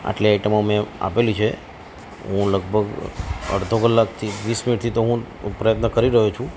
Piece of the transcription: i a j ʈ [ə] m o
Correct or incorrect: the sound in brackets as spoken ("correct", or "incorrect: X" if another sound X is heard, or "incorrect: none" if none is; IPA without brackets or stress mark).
correct